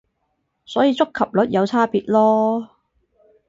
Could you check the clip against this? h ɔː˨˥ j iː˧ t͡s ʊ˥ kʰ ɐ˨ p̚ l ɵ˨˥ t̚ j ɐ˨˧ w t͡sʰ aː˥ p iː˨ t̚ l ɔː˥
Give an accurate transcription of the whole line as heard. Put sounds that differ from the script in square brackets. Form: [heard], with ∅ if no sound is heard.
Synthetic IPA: [s] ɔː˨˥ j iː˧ t͡s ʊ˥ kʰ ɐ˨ p̚ l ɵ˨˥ t̚ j ɐ˨˧ w t͡sʰ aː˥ p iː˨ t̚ l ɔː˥